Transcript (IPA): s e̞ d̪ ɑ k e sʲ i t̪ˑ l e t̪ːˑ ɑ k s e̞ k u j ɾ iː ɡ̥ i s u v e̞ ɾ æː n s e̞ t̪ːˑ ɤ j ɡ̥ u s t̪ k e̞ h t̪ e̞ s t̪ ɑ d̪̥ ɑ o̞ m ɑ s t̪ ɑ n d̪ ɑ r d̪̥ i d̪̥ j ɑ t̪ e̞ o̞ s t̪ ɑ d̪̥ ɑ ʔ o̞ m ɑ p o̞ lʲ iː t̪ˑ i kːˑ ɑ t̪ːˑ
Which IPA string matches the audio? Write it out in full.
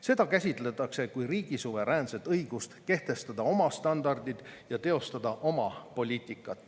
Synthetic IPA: s e̞ d̪ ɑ k æ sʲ i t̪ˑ l e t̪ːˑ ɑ k s e̞ k u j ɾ iː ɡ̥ i s u v e̞ ɾ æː n s e̞ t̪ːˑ ɤ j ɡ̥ u s t̪ k e̞ h t̪ e̞ s t̪ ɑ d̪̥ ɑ o̞ m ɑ s t̪ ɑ n d̪ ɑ r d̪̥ i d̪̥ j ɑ t̪ e̞ o̞ s t̪ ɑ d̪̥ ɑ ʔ o̞ m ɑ p o̞ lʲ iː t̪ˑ i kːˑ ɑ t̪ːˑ